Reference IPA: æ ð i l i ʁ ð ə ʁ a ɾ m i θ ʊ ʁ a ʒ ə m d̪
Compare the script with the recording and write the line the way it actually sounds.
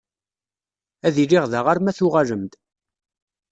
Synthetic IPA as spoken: æ ð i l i ʁ ð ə ʁ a ɾ m æ θ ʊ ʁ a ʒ ə m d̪